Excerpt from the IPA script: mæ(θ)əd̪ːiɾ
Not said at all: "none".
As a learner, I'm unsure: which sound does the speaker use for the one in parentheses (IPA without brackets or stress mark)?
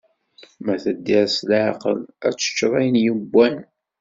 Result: θ